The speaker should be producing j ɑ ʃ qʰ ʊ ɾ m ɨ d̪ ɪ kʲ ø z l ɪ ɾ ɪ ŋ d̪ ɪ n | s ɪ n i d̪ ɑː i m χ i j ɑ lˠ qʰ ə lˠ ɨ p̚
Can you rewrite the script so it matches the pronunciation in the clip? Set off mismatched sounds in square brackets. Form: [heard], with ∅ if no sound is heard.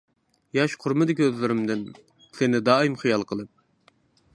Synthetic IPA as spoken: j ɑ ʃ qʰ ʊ ɾ m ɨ d̪ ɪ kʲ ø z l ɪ ɾ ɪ [m] d̪ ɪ n | s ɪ n [ɪ] d̪ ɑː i m χ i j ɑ lˠ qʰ ə lˠ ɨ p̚